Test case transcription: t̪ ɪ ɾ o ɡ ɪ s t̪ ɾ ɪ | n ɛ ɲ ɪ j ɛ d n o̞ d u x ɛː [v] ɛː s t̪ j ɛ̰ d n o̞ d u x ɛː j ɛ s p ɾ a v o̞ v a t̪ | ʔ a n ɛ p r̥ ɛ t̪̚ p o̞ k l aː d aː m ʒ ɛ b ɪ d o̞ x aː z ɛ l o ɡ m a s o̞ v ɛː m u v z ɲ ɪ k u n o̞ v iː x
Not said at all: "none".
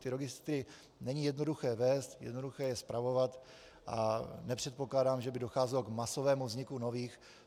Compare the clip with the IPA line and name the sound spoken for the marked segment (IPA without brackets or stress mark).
v